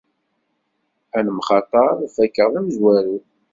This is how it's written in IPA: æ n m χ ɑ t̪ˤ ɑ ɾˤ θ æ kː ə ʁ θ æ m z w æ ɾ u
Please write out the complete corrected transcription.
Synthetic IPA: æ n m χ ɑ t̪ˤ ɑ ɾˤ f æ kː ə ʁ ð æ m z w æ ɾ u

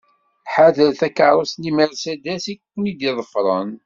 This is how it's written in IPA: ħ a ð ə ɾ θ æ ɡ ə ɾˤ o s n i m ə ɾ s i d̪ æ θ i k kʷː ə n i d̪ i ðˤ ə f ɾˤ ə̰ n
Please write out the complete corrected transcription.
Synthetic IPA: ħ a ð ə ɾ θ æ k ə ɾˤ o s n i m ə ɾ s æ d̪ æ s i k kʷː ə n i d̪ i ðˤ ə f ɾˤ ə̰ n

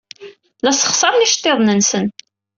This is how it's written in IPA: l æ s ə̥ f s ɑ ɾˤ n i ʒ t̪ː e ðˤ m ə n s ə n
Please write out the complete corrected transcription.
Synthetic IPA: l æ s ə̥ χ s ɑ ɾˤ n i ʃ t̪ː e ðˤ n ə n s ə n

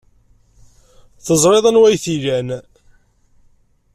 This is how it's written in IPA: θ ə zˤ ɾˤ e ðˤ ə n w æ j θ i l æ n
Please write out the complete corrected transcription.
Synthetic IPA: θ ə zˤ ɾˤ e ðˤ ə n w æ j θ i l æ n

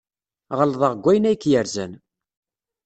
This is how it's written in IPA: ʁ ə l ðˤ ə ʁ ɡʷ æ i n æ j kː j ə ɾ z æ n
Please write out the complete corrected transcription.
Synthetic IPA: ʁ ə l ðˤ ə ʁ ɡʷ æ j n æ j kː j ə ɾ z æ n

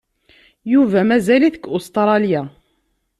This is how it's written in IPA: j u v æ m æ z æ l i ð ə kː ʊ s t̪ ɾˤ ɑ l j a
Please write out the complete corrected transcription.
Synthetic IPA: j u v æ m æ z æ l i θ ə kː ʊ s t̪ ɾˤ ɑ l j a

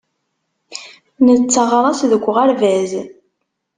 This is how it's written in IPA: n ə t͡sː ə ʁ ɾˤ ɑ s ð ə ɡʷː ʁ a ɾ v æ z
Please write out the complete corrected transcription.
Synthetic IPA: n ə t͡sː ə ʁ ɾˤ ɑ s ð ə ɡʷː ʁ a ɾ v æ z

